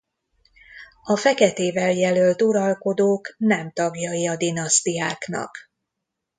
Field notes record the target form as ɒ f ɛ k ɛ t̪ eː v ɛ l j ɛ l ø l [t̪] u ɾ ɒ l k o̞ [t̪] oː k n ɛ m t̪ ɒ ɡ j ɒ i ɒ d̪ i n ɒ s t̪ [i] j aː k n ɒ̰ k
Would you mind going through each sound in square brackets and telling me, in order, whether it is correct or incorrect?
correct, incorrect, correct

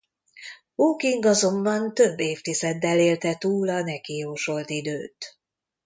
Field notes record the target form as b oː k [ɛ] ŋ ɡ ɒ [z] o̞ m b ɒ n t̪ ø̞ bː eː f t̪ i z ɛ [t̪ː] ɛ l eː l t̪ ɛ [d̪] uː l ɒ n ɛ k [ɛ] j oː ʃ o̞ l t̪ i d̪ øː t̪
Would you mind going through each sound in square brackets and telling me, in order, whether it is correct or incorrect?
incorrect, correct, incorrect, incorrect, incorrect

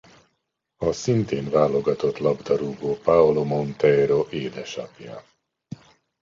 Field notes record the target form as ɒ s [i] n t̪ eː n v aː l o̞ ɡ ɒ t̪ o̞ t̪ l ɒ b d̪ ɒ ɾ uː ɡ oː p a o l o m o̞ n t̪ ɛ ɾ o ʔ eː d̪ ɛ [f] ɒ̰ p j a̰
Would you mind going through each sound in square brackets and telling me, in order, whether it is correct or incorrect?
correct, incorrect

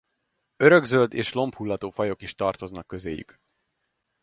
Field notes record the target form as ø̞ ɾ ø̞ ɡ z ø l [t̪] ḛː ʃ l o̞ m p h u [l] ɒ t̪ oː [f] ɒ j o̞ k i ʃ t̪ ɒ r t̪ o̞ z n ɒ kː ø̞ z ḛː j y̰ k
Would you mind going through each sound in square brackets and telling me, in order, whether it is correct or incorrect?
incorrect, incorrect, correct

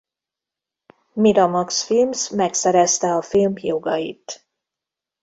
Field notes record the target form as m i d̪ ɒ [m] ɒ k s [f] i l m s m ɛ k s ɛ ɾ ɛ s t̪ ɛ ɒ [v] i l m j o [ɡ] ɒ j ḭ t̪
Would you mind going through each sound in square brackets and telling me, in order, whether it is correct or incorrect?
correct, correct, incorrect, correct

